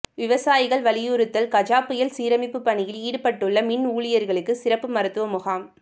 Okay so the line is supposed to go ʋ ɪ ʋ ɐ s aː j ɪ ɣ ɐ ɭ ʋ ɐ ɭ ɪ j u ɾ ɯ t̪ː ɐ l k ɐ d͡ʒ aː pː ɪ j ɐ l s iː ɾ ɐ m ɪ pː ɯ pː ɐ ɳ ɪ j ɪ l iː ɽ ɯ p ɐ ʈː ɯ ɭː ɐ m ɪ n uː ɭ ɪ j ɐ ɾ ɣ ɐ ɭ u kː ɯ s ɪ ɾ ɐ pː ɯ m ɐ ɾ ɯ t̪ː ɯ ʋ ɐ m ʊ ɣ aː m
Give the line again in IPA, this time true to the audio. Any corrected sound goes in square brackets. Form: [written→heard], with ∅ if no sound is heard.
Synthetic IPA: ʋ ɪ ʋ ɐ s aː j ɪ ɣ ɐ ɭ ʋ ɐ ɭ ɪ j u ɾ ɯ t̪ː ɐ l k ɐ d͡ʒ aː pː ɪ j ɐ l s iː ɾ ɐ m ɪ pː ɯ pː ɐ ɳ ɪ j ɪ l iː ɽ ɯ p ɐ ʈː ɯ ɭː ɐ m ɪ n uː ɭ ɪ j ɐ ɾ ɣ ɐ ɭ [u→ɯ] kː ɯ s ɪ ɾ ɐ pː ɯ m ɐ ɾ ɯ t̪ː ɯ ʋ ɐ m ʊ ɣ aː m